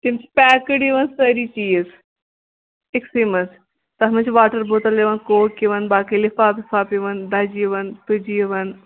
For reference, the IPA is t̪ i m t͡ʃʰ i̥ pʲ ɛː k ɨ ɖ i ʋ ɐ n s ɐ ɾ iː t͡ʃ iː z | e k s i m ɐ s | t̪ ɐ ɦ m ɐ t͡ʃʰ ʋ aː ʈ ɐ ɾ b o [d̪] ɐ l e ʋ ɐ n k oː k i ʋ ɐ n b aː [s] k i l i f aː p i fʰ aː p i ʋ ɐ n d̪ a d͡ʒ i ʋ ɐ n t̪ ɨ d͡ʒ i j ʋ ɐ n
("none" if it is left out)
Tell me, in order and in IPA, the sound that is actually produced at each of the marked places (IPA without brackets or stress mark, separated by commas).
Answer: t̪, none